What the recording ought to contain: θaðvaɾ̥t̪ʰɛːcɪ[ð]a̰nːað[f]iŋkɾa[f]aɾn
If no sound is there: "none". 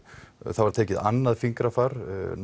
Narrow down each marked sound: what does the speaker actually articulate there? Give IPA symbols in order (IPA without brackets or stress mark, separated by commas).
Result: ð, f, f